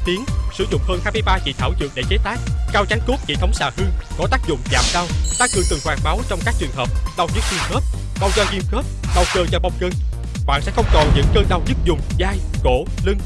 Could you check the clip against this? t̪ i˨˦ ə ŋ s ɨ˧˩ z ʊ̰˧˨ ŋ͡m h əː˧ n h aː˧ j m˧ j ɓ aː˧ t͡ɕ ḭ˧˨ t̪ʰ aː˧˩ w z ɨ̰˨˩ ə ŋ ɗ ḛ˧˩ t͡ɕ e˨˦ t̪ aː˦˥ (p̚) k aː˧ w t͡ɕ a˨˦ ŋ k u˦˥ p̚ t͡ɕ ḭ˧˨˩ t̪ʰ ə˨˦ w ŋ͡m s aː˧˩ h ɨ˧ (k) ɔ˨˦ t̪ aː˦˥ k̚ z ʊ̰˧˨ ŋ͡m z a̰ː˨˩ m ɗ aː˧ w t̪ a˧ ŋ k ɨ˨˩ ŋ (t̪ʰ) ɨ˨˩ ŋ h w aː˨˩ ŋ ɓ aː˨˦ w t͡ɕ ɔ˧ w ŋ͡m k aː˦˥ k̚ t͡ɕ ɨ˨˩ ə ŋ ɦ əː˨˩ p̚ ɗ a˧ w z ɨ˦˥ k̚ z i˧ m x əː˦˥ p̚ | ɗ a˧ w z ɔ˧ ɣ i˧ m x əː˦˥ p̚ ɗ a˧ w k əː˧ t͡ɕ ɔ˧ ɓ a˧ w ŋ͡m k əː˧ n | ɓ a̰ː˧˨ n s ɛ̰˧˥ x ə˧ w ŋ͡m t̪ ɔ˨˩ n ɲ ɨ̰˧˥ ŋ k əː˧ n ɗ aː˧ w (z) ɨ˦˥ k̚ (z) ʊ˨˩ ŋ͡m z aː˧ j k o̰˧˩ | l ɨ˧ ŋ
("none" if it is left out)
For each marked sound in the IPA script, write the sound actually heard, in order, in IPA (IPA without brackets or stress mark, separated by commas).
k̚, k, t̪, z, z